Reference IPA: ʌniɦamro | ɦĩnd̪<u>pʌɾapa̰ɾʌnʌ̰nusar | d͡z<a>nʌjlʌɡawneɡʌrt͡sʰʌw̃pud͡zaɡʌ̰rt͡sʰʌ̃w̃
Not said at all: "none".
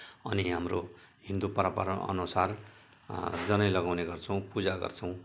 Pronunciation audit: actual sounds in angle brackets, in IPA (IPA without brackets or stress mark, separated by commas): u, ʌ